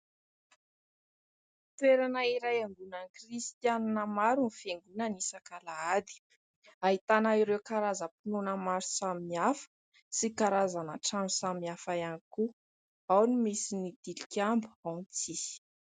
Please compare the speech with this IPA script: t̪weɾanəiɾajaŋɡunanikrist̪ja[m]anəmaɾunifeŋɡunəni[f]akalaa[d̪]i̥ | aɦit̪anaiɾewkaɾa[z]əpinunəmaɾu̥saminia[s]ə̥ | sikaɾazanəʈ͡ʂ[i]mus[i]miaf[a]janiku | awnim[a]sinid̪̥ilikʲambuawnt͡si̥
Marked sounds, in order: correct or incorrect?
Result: incorrect, incorrect, correct, correct, incorrect, incorrect, incorrect, correct, incorrect

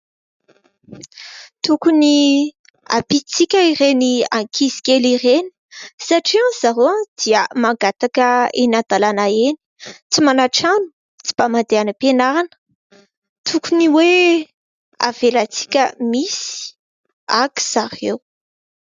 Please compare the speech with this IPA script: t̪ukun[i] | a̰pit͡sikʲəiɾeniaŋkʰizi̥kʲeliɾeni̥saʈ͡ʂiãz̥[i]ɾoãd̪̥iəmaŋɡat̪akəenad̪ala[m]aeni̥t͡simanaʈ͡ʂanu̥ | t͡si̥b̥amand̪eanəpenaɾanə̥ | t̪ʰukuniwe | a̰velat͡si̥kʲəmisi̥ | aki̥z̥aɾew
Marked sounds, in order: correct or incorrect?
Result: correct, incorrect, incorrect

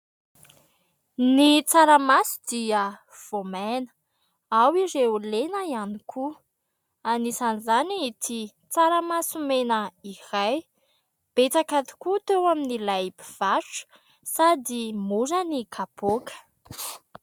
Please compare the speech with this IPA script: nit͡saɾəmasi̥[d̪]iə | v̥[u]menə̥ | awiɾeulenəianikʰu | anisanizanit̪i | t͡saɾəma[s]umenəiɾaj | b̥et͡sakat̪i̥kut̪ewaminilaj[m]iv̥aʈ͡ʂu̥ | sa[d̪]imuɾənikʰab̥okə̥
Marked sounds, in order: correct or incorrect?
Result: correct, incorrect, correct, incorrect, correct

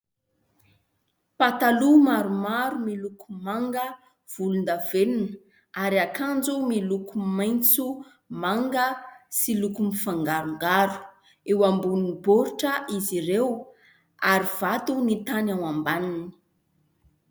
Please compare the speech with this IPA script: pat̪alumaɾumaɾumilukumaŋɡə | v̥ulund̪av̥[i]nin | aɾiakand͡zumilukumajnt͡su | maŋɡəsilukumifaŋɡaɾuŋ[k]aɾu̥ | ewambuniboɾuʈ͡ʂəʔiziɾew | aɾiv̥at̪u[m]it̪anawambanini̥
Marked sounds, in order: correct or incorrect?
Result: incorrect, incorrect, incorrect

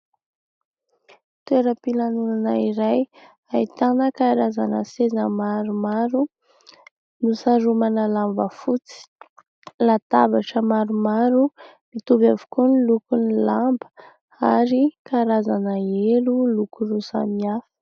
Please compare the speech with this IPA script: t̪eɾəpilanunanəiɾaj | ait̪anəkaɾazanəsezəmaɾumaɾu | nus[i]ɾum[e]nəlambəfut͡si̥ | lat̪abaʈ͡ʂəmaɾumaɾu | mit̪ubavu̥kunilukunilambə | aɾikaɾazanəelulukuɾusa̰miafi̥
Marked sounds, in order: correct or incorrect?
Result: incorrect, incorrect

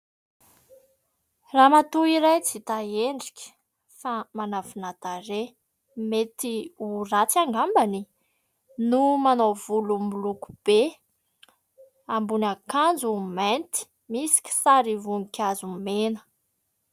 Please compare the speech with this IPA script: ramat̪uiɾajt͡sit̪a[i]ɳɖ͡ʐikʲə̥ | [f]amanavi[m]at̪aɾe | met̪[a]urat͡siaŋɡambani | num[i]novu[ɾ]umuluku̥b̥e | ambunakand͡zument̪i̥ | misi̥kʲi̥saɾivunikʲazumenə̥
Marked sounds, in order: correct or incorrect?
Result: incorrect, correct, incorrect, incorrect, incorrect, incorrect

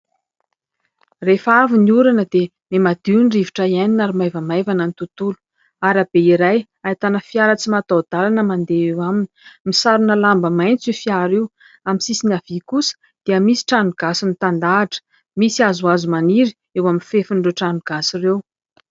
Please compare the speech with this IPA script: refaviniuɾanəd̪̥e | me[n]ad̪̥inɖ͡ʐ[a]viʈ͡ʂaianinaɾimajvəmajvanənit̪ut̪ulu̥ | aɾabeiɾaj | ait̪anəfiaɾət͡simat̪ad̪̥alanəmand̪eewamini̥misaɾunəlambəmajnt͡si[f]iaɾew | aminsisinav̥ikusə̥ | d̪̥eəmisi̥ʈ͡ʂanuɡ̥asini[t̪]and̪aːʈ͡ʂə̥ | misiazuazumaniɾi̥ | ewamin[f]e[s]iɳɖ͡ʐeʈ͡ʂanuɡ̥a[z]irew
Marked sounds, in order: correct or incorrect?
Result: incorrect, incorrect, correct, correct, correct, incorrect, incorrect

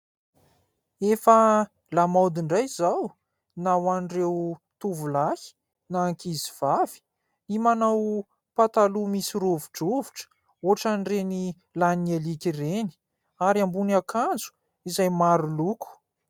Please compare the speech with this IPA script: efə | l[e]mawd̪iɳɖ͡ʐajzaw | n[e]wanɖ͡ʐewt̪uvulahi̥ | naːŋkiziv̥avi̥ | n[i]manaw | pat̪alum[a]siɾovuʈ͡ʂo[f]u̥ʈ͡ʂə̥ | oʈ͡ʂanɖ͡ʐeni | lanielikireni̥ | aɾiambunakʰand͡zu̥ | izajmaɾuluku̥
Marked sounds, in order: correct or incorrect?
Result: incorrect, incorrect, correct, incorrect, incorrect

